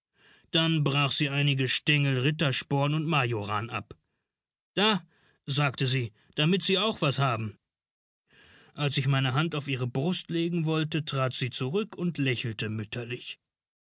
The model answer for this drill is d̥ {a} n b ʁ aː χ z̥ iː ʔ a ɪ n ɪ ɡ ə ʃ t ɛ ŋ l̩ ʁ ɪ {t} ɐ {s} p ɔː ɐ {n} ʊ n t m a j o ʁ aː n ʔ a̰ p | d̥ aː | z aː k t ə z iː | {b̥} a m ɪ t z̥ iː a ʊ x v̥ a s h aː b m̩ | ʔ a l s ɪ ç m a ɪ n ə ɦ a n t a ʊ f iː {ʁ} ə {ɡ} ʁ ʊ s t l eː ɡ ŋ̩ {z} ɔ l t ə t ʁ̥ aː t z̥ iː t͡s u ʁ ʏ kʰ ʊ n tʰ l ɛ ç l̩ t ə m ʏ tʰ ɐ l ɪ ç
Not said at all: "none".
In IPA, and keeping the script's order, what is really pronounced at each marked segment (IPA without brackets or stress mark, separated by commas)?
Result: a, t, ʃ, n, d̥, ʁ, b, v